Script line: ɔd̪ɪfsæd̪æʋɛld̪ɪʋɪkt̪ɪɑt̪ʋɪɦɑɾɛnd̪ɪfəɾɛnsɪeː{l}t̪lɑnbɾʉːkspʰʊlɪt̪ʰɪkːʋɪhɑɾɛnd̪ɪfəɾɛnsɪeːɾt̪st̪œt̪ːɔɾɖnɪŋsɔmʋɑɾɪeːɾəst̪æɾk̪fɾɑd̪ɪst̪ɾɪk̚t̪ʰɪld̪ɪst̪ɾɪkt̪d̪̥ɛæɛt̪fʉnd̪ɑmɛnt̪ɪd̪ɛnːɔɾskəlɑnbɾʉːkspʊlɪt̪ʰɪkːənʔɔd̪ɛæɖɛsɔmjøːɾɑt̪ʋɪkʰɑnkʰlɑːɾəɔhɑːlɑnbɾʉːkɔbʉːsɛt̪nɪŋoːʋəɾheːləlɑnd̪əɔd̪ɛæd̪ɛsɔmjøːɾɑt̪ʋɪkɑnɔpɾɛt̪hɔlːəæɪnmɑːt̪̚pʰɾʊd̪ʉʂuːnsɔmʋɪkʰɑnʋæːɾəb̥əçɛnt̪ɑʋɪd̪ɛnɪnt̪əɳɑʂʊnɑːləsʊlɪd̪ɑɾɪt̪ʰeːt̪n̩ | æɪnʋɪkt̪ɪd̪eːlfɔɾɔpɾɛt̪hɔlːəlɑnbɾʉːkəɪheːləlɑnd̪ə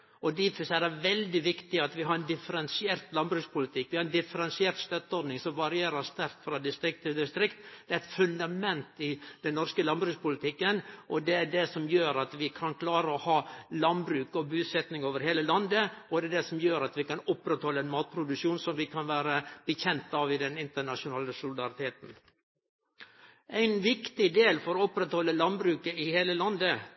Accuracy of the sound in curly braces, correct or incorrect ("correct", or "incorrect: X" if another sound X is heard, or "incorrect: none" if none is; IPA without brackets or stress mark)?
incorrect: ɾ